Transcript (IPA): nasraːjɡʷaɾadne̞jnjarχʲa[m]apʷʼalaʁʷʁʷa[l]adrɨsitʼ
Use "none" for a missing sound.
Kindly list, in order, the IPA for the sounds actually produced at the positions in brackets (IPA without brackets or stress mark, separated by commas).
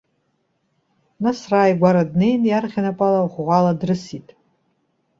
n, l